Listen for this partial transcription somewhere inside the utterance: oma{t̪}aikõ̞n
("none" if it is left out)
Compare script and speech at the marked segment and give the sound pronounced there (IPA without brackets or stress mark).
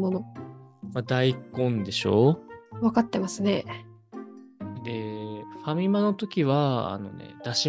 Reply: d̪